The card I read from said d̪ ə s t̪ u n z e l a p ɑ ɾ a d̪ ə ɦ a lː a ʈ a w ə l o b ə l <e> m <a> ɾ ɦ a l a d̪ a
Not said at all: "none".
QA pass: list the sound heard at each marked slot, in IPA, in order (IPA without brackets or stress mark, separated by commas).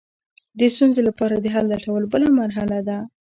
a, a